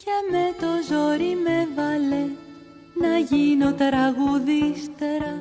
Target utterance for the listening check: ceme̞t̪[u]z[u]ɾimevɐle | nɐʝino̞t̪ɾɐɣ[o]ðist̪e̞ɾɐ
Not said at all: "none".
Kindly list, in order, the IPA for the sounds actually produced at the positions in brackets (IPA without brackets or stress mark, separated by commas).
o, o, u